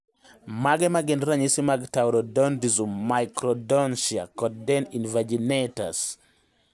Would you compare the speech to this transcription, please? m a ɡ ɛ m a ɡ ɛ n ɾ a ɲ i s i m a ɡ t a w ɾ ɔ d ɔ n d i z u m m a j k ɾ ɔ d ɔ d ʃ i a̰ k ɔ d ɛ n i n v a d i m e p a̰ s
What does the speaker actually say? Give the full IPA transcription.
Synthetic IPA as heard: m a ɡ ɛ m a ɡ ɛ n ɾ a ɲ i s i m a ɡ t a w ɾ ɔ d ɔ n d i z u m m a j k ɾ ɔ d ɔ n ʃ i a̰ k ɔ d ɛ n i n v a d͡ʒ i n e t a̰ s